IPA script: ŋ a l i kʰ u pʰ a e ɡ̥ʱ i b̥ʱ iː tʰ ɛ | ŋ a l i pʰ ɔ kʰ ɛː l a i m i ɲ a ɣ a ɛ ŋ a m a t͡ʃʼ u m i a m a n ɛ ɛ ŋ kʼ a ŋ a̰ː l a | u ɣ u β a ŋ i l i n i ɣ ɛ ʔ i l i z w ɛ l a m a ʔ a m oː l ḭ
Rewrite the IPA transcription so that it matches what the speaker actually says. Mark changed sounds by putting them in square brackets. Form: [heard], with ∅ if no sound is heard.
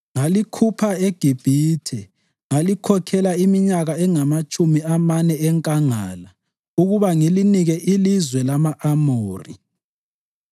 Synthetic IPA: ŋ a l i kʰ u pʰ a e ɡ̥ʱ i b̥ʱ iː tʰ ɛ | ŋ a l i [kʰ] ɔ kʰ [ɛ] l a i m i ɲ a ɣ a ɛ ŋ a m a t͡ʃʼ u m i a m a n ɛ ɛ ŋ kʼ a ŋ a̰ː l a | u ɣ u β a ŋ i l i n i ɣ ɛ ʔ i l i z w ɛ l a m a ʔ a m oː [r] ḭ